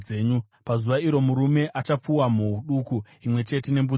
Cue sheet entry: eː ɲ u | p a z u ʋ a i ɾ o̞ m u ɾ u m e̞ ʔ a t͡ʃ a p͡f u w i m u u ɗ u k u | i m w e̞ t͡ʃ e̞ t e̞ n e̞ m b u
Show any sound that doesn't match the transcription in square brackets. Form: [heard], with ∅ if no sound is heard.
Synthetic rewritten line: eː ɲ u | p a z u ʋ a i ɾ o̞ m u ɾ u m e̞ ʔ a t͡ʃ a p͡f u w [a] m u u ɗ u k u | i m w e̞ t͡ʃ e̞ t e̞ n e̞ m b u